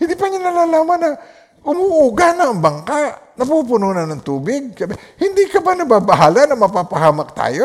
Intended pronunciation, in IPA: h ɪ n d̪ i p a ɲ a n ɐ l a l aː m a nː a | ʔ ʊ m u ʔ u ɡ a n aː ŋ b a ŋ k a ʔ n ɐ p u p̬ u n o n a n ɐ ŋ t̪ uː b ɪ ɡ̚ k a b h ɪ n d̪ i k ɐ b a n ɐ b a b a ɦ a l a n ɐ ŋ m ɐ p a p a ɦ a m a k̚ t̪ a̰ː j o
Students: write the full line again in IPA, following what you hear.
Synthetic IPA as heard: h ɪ n d̪ i p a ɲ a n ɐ l a l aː m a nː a | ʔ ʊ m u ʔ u ɡ a n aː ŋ b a ŋ k a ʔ n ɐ p u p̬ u n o n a n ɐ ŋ t̪ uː b ɪ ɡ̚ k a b h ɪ n d̪ i k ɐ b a n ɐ b a b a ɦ a l a n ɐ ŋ m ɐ p a p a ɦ a m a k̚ t̪ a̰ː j o